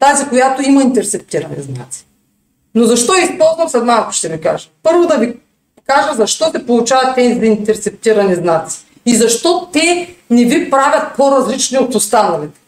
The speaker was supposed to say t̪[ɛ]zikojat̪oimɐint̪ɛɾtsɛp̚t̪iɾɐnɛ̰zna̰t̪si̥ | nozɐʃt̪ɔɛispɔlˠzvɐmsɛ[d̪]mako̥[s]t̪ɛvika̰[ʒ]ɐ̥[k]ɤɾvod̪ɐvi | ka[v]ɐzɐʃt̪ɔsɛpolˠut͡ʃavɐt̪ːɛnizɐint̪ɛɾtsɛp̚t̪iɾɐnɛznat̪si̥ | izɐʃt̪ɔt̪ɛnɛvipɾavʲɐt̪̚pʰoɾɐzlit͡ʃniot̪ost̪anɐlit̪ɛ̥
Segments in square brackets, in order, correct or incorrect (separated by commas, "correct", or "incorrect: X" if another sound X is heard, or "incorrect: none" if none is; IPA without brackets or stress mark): incorrect: a, correct, incorrect: ʃ, correct, incorrect: p, incorrect: ʒ